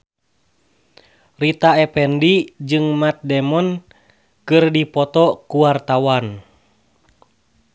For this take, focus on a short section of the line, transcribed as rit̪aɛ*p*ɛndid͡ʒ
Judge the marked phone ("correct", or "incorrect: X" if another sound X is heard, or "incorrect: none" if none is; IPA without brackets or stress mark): correct